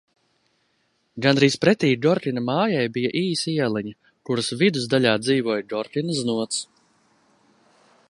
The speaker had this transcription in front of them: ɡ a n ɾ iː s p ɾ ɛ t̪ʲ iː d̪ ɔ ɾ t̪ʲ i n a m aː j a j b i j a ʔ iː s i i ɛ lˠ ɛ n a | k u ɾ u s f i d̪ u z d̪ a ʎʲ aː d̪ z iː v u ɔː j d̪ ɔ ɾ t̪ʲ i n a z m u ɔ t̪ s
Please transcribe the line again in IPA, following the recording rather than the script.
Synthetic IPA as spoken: ɡ a n ɾ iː s p ɾ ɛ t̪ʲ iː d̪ ɔ ɾ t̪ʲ i n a m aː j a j b i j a ʔ iː s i i ɛ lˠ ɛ ɲ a | k u ɾ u s v i d̪ u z d̪ a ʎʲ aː d̪ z iː v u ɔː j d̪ ɔ ɾ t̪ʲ i n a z n u ɔ t̪ s